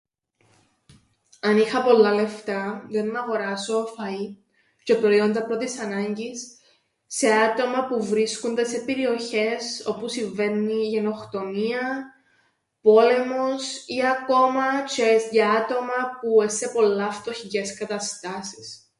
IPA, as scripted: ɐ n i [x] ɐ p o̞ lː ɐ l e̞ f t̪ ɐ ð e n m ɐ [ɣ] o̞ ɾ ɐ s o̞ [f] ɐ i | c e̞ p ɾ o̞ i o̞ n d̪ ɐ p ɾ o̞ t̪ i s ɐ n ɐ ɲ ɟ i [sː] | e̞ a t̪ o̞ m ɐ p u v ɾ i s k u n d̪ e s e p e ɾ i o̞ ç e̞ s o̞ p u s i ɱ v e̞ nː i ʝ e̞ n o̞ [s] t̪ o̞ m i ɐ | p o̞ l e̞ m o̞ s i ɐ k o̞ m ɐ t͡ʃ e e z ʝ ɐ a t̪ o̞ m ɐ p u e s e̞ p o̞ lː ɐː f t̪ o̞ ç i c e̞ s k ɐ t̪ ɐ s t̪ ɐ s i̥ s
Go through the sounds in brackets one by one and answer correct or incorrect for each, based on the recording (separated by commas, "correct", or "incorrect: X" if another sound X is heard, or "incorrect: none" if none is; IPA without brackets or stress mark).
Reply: correct, correct, correct, correct, incorrect: x